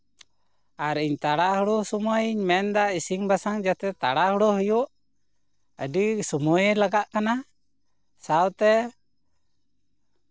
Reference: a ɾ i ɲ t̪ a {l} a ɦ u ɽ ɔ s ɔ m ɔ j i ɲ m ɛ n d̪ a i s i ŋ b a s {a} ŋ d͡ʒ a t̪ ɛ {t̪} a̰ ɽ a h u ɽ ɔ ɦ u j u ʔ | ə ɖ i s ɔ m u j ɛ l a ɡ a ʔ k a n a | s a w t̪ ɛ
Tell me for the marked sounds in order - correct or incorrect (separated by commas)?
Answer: incorrect, correct, correct